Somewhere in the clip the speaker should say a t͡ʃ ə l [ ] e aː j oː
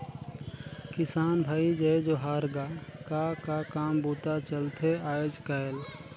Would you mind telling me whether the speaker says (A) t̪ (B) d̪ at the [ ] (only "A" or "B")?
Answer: A